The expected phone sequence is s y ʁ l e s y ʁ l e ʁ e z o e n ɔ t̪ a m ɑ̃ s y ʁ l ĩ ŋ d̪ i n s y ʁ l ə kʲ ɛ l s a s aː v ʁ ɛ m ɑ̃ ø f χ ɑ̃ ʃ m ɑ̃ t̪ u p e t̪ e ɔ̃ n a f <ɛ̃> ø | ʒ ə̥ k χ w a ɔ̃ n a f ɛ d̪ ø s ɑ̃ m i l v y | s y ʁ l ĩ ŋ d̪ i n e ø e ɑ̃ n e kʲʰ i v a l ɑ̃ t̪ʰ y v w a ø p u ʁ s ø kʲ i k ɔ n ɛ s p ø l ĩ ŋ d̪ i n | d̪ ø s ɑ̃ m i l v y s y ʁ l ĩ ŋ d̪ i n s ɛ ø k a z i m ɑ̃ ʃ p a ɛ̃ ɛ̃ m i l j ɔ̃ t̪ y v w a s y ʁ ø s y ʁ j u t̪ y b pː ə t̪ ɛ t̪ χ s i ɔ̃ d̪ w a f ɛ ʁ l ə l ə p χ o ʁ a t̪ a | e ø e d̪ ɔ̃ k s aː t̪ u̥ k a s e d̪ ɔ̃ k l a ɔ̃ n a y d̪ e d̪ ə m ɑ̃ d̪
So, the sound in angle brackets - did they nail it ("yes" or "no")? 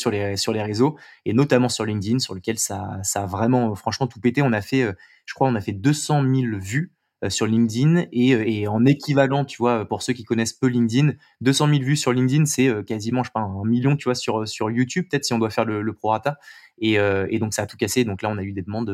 no